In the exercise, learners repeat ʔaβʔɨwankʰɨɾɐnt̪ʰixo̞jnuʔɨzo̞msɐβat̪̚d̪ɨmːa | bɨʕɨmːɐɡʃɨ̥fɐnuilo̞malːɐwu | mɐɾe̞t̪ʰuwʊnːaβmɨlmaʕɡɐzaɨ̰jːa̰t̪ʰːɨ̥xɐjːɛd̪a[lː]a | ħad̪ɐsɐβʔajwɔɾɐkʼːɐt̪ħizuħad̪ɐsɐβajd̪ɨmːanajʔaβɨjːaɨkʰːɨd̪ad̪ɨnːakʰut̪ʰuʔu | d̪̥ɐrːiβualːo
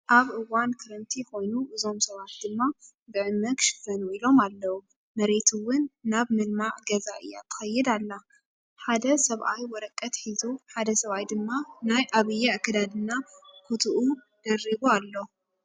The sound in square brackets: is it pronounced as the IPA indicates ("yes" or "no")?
yes